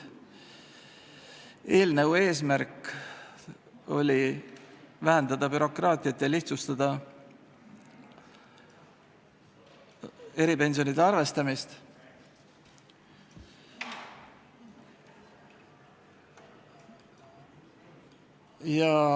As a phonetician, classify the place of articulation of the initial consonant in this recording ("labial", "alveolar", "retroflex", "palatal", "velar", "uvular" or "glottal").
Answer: alveolar